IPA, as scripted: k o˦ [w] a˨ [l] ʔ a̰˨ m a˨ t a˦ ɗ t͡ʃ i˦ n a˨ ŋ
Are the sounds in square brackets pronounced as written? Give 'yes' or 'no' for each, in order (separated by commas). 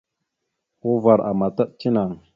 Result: no, no